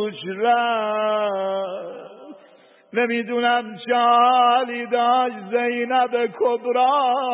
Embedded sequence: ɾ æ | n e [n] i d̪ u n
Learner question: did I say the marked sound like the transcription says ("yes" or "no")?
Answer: no